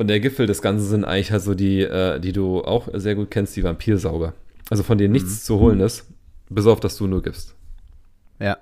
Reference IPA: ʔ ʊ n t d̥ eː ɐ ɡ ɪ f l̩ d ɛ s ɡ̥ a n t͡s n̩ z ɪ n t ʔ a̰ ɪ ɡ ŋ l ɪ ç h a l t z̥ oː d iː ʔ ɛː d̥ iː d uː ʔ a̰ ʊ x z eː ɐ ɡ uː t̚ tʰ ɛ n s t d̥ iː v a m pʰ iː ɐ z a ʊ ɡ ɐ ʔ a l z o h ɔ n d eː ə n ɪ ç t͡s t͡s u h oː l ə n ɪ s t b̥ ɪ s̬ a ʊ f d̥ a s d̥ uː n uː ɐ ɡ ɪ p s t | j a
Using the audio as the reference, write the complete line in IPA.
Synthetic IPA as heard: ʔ ʊ n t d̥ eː ɐ ɡ ɪ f l̩ d ɛ s ɡ̥ a n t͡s n̩ z ɪ n t ʔ a̰ ɪ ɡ ŋ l ɪ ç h a l t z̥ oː d iː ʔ ɛː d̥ iː d uː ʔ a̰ ʊ x z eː ɐ ɡ uː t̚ kʰ ɛ n s t d̥ iː v a m pʰ iː ɐ z a ʊ ɡ ɐ ʔ a l z o f ɔ n d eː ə n ɪ ç t͡s t͡s u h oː l ə n ɪ s t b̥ ɪ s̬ a ʊ f d̥ a s d̥ uː n uː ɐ ɡ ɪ p s t | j a